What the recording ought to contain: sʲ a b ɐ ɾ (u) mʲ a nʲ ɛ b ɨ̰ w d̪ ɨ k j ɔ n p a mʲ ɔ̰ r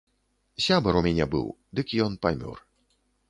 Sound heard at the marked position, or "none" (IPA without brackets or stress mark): u